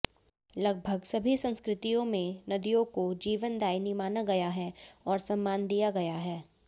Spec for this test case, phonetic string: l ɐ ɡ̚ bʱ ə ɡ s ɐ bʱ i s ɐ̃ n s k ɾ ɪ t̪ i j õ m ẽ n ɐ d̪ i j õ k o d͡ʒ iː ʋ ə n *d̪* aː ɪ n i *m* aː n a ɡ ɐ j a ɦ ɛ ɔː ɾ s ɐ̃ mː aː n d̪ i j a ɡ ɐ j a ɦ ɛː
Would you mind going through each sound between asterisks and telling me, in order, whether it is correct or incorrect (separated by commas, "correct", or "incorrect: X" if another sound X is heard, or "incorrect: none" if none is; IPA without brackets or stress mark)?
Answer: correct, correct